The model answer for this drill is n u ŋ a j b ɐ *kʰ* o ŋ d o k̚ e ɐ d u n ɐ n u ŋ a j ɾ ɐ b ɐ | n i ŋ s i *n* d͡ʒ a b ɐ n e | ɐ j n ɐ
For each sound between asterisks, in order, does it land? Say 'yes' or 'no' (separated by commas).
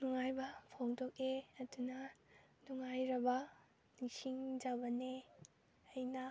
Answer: no, no